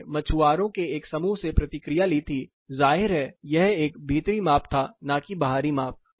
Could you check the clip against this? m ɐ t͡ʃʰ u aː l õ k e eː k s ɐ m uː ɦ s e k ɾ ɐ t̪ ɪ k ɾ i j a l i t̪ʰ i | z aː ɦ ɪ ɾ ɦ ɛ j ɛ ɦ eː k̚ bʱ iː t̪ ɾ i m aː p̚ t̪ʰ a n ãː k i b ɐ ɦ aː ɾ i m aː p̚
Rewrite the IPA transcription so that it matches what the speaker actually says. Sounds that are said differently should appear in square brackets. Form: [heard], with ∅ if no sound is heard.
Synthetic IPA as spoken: m ɐ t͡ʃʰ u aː [ɾ] õ k e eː k s ɐ m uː ɦ s e [p] ɾ ɐ t̪ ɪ k ɾ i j a l i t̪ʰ i | z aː ɦ ɪ ɾ ɦ ɛ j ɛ ɦ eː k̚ bʱ iː t̪ ɾ i m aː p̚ t̪ʰ a n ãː k i b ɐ ɦ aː ɾ i m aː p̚